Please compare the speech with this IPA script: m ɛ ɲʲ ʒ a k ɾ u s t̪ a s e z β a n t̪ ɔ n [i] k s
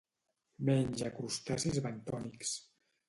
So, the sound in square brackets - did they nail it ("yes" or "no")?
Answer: yes